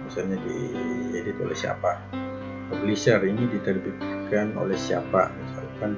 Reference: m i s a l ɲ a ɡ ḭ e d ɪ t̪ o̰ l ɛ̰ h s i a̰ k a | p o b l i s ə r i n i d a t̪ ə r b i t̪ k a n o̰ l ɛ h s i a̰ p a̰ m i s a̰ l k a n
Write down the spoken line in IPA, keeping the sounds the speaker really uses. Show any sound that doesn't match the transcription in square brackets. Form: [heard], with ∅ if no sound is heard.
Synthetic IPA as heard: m i s a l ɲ a [d] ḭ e d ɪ t̪ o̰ l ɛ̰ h s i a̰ [p] a | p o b l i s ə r i n i d [i] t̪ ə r b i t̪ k a n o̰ l ɛ h s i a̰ p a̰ m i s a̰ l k a n